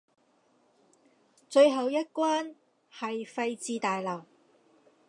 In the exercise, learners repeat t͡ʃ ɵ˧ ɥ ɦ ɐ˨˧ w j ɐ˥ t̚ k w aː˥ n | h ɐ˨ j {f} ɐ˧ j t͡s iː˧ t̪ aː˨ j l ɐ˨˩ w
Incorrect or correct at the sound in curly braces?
correct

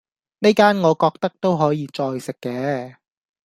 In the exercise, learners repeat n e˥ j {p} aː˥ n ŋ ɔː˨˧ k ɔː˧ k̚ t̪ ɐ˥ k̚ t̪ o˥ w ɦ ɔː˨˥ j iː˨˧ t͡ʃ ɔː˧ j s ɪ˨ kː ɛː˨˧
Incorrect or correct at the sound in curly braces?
incorrect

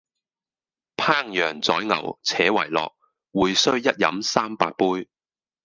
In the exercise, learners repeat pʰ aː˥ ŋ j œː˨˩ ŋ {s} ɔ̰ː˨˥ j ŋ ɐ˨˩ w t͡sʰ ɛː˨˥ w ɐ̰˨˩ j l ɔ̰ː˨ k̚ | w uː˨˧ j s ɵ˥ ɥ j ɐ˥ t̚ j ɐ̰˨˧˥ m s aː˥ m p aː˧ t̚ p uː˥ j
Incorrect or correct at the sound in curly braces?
incorrect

